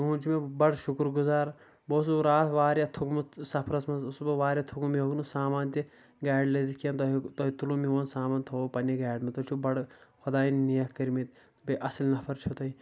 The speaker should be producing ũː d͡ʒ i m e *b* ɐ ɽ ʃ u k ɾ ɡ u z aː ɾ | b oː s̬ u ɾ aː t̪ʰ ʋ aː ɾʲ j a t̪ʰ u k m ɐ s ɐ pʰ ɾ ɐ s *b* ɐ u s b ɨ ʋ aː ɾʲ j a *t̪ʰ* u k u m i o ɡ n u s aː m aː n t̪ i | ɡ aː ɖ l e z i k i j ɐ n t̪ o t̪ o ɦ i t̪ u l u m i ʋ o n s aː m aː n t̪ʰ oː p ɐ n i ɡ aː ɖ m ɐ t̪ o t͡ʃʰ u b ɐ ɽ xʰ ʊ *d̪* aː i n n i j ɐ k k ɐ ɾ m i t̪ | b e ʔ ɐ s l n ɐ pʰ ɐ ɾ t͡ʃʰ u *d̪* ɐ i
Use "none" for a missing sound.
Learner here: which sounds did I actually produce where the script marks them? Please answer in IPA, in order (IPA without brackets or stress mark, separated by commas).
b, m, t̪ʰ, d̪, t̪